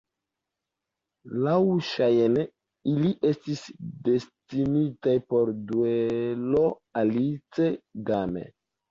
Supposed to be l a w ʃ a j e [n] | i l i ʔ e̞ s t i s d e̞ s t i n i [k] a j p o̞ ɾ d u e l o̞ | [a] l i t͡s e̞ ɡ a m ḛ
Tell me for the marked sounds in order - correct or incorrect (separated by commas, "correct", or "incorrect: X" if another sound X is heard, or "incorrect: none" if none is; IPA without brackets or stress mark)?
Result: correct, incorrect: t, correct